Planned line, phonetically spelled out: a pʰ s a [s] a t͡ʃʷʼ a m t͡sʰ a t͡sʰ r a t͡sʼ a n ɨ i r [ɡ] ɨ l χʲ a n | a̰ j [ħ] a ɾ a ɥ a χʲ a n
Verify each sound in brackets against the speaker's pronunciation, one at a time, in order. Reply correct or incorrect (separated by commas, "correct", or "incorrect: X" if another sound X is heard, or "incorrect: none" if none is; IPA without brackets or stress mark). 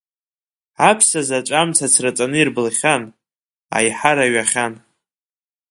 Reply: incorrect: z, incorrect: b, correct